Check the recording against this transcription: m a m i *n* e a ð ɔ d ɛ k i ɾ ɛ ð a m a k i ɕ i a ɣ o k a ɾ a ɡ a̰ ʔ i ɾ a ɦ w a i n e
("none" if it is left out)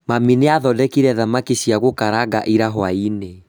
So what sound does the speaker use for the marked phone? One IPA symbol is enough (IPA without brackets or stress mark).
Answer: n